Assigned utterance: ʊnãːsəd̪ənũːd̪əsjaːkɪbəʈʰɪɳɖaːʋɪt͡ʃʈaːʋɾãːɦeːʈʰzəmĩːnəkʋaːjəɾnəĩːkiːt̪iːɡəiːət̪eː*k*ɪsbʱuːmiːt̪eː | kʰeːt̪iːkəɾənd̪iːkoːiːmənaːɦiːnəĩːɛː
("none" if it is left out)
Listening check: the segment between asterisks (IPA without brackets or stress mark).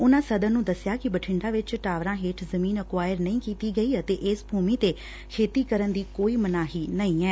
ʔ